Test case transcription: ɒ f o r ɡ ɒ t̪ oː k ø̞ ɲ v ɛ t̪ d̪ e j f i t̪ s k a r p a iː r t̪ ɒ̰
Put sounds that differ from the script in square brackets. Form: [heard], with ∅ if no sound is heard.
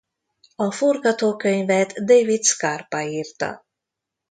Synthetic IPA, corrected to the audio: ɒ f o r ɡ ɒ t̪ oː k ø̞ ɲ v ɛ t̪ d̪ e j [v] i t̪ s k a r p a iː r t̪ ɒ̰